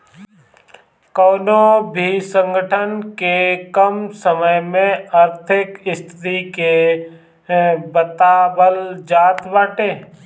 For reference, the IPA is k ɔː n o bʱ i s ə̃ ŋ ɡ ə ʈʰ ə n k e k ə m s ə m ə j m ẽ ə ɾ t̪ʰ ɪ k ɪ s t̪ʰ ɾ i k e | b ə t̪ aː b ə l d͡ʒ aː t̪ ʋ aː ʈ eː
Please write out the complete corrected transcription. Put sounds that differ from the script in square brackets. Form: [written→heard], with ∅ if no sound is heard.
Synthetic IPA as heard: k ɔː n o bʱ i s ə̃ ŋ ɡ ə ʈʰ ə n k e k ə m s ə m ə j m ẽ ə ɾ t̪ʰ ɪ k ɪ s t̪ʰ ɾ i k e | b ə t̪ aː b ə l d͡ʒ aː t̪ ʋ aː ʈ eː